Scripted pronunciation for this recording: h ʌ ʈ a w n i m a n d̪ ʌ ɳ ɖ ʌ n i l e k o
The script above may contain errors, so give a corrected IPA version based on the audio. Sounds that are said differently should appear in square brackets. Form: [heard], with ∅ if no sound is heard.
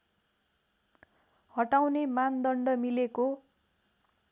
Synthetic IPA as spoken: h ʌ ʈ a w n [e] m a n d̪ ʌ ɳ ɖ ʌ [m] i l e k o